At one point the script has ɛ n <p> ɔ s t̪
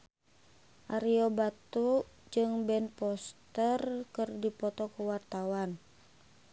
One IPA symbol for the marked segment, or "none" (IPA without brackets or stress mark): p